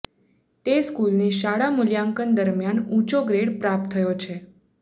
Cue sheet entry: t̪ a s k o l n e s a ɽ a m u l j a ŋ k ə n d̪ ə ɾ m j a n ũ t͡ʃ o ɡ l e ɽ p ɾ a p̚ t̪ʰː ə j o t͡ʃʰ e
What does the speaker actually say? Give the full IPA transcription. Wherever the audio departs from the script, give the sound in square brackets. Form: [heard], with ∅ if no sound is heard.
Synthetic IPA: t̪ [e] s k [u] l n e [ʃ] a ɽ a m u l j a ŋ k ə n d̪ ə ɾ m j a n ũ t͡ʃ o ɡ [ɾ] e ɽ p ɾ a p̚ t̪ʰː ə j o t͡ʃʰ e